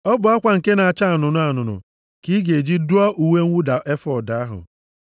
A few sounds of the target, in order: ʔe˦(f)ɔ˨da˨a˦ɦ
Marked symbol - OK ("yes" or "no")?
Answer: yes